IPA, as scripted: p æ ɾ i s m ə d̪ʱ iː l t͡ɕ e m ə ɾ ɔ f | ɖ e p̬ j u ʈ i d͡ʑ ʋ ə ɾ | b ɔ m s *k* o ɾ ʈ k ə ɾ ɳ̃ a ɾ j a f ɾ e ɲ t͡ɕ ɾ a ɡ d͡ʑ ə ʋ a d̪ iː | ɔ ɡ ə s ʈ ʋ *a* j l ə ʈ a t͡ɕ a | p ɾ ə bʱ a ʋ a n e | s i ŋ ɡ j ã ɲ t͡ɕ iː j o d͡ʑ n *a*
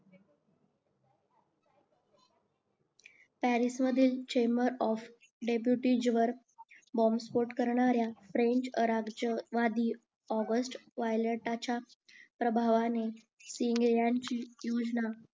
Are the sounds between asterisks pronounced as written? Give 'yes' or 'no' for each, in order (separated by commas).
no, yes, yes